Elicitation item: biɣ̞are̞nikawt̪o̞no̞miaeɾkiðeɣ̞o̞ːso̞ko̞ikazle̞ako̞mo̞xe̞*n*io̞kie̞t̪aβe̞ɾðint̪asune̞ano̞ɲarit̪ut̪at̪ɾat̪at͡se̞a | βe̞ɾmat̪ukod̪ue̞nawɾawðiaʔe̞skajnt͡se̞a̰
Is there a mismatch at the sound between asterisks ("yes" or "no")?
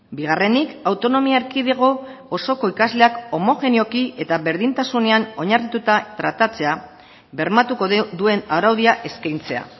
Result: no